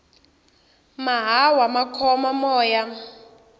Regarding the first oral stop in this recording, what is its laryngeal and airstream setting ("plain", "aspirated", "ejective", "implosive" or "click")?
aspirated